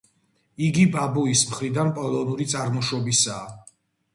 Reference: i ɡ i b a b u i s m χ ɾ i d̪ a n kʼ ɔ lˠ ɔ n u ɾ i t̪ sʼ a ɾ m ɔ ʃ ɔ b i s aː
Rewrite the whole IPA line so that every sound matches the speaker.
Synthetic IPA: i ɡ i b a b u i s m χ ɾ i d̪ a n pʼ ɔ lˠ ɔ n u ɾ i t̪ sʼ a ɾ m ɔ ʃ ɔ b i s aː